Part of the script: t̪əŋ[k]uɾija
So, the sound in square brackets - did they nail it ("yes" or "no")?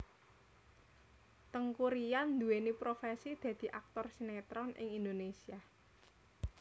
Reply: yes